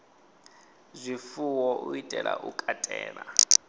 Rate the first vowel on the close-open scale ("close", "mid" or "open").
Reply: close